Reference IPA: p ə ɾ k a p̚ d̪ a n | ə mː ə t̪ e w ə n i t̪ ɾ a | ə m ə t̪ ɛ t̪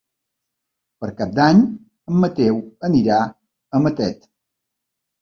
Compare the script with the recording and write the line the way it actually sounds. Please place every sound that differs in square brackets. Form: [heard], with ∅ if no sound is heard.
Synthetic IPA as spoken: p ə ɾ k a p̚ d̪ a [ɲ] | ə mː ə t̪ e w ə n i [∅] ɾ a | ə m ə t̪ ɛ t̪